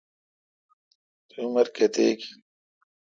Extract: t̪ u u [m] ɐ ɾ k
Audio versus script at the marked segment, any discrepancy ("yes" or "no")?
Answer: no